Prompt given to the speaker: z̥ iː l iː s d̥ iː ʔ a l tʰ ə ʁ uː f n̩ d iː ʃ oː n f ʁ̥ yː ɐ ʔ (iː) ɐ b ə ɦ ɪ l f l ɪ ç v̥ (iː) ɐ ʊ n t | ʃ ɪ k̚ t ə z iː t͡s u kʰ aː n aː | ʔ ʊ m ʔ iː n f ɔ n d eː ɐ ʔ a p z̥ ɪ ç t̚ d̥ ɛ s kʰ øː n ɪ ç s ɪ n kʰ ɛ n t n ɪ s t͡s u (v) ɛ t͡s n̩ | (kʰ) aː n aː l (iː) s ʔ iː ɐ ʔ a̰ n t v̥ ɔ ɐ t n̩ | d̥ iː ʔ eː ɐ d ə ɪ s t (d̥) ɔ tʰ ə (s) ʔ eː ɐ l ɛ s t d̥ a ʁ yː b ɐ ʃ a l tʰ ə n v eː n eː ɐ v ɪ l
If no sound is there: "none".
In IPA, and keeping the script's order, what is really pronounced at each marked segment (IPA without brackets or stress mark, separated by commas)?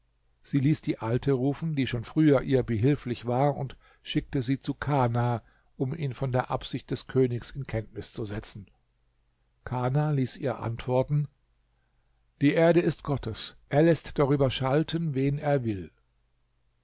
iː, aː, z, kʰ, iː, ɡ̥, s